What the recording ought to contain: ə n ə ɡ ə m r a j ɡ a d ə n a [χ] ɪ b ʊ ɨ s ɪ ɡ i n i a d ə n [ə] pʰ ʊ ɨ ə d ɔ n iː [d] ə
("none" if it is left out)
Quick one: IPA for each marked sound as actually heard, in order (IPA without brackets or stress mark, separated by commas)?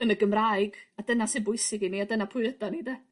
s, a, d